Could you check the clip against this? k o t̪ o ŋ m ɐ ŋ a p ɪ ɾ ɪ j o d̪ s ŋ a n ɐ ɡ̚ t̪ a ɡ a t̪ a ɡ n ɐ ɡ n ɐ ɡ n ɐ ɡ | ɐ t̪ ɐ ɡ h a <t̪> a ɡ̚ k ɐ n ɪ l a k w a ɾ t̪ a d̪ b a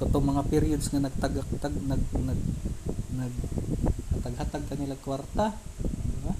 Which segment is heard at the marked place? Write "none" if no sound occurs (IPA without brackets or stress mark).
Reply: t̪